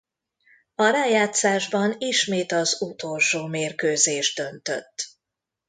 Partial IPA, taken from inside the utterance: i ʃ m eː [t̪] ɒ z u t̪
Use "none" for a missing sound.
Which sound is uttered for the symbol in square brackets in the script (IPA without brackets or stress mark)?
t̪